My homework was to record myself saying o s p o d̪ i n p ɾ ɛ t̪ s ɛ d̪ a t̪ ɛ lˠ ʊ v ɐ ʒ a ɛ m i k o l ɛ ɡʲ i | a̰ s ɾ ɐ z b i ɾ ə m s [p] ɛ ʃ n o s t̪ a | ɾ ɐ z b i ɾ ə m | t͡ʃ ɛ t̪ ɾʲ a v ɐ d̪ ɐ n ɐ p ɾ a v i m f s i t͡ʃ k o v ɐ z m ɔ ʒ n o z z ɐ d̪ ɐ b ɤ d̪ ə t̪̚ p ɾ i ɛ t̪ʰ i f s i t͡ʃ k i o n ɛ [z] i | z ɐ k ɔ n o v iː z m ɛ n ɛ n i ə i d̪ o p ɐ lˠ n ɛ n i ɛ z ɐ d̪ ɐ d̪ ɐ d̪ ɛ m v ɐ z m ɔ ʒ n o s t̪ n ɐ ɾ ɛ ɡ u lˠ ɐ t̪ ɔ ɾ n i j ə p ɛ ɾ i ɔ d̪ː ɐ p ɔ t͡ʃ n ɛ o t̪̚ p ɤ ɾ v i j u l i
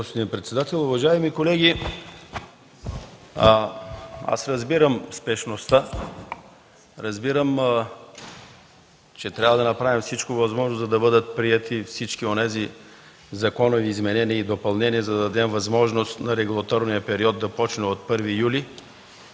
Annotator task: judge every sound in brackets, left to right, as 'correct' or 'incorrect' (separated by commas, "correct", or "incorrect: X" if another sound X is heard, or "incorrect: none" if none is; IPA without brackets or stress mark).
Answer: correct, correct